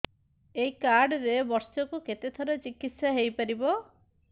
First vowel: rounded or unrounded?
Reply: unrounded